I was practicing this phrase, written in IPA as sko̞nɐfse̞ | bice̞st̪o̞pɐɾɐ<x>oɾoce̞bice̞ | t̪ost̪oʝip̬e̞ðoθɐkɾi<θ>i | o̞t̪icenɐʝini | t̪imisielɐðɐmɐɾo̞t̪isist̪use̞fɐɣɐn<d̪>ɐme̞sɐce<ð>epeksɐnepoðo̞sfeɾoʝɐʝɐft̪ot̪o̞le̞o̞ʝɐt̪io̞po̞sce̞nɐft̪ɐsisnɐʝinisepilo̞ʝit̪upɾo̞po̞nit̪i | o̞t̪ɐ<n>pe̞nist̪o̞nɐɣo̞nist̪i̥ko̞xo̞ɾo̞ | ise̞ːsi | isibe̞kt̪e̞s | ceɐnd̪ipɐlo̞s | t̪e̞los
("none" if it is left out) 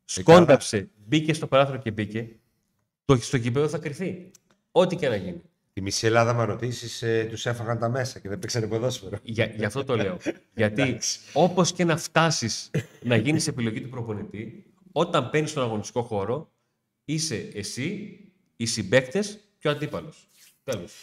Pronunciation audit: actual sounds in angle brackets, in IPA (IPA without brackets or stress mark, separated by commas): θ, θ, t̪, ð, m